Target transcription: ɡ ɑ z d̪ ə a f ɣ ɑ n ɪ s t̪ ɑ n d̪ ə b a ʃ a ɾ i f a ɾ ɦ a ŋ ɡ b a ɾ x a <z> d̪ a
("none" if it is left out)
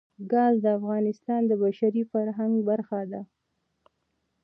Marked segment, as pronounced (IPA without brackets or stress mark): none